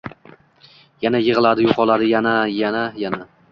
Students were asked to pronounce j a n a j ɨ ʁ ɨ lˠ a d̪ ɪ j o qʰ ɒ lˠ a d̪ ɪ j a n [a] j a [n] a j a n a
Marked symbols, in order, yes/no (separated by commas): yes, yes